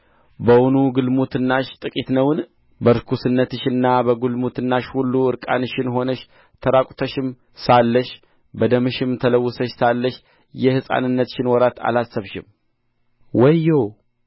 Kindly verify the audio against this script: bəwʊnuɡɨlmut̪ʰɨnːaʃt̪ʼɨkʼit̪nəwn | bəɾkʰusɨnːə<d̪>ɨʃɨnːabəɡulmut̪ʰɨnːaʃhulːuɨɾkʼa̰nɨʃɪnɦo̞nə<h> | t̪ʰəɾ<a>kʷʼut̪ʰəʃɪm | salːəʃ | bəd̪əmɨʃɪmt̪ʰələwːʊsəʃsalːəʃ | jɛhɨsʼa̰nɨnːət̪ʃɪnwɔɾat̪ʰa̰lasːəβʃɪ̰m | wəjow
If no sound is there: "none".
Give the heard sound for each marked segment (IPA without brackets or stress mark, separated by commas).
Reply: t̪, ʃ, a